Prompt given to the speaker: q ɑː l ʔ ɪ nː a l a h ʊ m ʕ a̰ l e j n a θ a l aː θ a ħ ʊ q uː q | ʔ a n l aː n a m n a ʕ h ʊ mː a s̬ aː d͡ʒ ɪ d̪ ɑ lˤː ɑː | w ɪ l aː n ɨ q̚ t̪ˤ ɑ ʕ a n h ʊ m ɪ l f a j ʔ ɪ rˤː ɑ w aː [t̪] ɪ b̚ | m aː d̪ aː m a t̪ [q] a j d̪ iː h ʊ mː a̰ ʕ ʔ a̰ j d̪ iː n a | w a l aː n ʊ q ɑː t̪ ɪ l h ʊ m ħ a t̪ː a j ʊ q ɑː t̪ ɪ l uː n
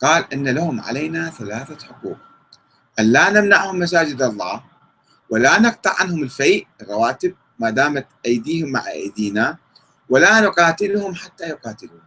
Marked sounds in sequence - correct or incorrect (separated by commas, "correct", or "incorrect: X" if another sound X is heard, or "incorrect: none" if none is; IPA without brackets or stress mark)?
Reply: correct, incorrect: ʔ